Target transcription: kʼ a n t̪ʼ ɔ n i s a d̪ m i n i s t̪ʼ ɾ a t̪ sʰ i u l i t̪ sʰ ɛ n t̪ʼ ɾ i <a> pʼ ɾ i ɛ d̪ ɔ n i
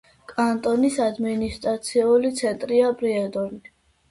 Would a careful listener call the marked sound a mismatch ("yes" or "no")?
no